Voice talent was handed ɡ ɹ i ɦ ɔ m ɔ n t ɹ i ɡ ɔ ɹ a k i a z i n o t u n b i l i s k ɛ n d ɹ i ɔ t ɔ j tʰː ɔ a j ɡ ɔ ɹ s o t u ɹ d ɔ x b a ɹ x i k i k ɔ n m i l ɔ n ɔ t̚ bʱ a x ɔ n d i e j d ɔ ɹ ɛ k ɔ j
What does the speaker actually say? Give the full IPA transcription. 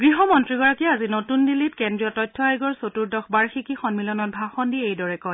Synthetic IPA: ɡ ɹ i ɦ ɔ m ɔ n t ɹ i ɡ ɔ ɹ a k i a z i n o t u n d i l i t k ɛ n d ɹ i ɔ t ɔ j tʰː ɔ a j ɡ ɔ ɹ s o t u ɹ d ɔ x b a ɹ x i k i x ɔ n m i l ɔ n ɔ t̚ bʱ a x ɔ n d i e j d ɔ ɹ ɛ k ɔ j